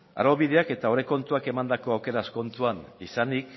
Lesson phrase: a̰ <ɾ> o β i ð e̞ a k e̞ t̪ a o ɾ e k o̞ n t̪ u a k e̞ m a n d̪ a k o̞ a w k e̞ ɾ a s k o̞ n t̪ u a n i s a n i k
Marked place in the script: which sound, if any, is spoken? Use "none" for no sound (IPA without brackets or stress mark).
ɾ